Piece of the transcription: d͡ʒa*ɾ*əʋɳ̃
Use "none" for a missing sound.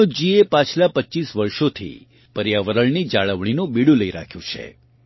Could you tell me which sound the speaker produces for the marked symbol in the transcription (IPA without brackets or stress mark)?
ɭ